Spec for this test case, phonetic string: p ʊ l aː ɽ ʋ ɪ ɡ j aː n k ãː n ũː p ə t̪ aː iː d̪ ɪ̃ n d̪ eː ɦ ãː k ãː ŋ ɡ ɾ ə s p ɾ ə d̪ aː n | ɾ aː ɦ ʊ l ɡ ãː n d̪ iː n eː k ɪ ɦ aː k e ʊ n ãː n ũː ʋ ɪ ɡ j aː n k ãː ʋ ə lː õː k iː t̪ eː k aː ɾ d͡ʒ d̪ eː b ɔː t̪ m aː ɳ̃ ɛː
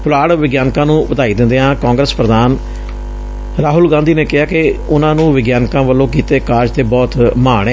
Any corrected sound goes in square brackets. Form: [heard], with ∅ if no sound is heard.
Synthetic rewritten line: p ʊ l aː ɽ ʋ ɪ ɡ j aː n k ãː n ũː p ə t̪ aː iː d̪ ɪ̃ n d̪ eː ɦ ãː k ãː ŋ ɡ ɾ ə s p ɾ ə d̪ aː n | ɾ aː ɦ ʊ l ɡ ãː n d̪ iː n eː k ɪ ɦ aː k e ʊ n ãː n ũː ʋ ɪ ɡ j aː n k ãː ʋ ə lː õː k iː t̪ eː k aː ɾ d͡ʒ [t̪] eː b ɔː t̪ m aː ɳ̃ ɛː